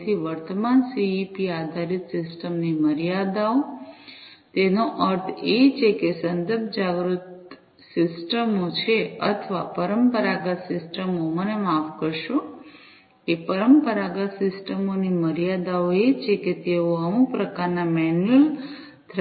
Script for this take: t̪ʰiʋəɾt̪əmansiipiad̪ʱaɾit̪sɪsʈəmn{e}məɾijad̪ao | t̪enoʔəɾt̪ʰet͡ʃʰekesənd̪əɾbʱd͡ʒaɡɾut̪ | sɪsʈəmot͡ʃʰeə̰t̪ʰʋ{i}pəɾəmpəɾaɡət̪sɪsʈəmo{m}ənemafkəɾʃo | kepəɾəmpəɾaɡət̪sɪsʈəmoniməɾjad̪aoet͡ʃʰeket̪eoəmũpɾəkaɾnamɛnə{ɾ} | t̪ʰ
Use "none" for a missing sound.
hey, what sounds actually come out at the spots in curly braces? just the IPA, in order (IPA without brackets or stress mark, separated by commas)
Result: i, a, m, l